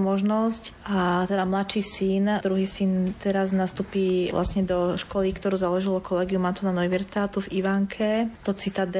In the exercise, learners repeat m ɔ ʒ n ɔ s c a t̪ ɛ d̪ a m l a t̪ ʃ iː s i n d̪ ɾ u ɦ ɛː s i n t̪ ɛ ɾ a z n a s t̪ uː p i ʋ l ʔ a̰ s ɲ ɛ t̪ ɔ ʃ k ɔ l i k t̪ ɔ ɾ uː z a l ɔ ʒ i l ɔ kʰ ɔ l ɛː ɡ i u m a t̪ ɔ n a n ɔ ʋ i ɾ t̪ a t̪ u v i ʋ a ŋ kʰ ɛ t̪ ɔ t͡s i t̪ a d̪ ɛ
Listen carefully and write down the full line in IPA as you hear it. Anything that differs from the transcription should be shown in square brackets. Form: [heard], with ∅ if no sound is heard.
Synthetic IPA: m ɔ ʒ n ɔ s c a t̪ ɛ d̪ a m l a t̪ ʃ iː s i n d̪ ɾ u ɦ [iː] s i n t̪ ɛ ɾ a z n a s t̪ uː p i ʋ l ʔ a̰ s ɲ ɛ [d̪] ɔ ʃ k ɔ l i k t̪ ɔ ɾ uː z a l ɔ ʒ i l ɔ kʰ ɔ l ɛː ɡ i u m a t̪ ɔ n a n ɔ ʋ i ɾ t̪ a t̪ u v i ʋ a ŋ kʰ ɛ t̪ ɔ t͡s i t̪ a d̪ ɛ